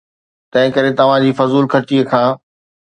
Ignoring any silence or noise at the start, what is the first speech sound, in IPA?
t̪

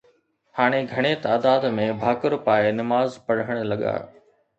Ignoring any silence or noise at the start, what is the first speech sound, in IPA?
h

